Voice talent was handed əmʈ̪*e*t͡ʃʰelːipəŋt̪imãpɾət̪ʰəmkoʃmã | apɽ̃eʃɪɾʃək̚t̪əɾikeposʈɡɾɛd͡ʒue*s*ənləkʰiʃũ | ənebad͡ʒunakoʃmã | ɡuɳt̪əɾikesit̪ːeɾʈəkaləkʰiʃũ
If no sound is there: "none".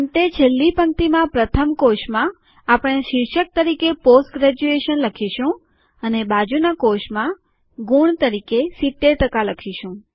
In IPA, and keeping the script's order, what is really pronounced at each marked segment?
e, ʃ

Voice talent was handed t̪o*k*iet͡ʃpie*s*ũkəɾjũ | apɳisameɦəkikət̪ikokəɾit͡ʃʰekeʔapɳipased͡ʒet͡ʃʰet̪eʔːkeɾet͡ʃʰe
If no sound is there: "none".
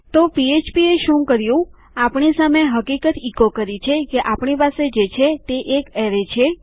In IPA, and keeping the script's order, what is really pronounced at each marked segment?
p, ʃ

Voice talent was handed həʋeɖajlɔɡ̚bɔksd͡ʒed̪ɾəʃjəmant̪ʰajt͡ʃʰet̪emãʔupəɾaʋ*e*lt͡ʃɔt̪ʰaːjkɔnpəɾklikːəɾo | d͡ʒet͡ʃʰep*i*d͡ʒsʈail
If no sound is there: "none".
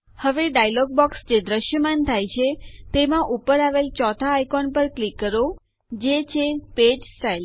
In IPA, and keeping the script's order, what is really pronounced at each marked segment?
e, e

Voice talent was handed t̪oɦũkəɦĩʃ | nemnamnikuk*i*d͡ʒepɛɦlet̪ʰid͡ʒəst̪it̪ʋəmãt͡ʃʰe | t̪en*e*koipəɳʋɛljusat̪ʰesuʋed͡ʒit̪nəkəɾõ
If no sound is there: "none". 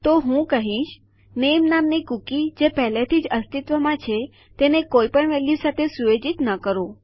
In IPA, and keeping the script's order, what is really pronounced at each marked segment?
i, e

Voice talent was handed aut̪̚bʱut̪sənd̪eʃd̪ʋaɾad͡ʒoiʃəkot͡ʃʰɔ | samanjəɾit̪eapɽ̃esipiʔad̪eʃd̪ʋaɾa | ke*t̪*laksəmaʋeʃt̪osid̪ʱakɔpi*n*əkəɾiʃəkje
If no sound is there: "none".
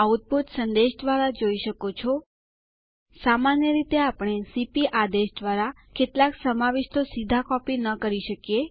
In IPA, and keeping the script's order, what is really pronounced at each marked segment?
t̪, n

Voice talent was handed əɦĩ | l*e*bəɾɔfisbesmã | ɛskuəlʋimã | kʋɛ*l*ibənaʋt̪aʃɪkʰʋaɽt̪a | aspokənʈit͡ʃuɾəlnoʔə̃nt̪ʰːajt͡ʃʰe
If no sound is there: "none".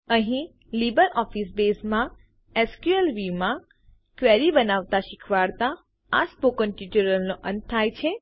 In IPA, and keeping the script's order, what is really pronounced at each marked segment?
i, ɾ

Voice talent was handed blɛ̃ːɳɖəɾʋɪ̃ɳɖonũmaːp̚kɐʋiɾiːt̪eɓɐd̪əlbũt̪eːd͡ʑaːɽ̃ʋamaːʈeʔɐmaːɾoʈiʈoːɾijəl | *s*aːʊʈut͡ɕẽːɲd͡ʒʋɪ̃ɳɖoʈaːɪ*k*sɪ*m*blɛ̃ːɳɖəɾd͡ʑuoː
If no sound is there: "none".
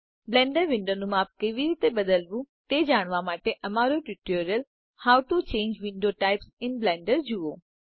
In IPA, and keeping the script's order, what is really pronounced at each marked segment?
h, p, n

